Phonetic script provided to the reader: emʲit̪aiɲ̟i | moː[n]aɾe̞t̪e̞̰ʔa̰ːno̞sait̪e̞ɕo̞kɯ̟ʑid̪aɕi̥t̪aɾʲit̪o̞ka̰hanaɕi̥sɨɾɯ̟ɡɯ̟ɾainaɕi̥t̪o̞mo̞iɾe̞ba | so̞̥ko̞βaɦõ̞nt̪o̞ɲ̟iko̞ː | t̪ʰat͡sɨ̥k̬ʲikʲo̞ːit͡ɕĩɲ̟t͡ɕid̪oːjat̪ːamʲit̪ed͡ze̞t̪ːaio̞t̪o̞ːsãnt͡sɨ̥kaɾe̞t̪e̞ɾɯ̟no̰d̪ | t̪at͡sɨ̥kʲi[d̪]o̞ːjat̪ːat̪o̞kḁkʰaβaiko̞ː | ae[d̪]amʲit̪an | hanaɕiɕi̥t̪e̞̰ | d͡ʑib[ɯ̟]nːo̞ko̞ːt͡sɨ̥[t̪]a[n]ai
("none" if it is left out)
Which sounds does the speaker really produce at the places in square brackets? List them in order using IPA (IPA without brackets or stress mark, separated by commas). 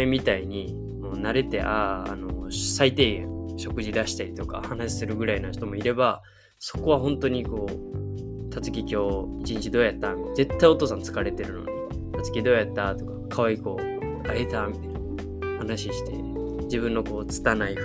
n, d̪, t̪, ɯ̟̃, t̪, n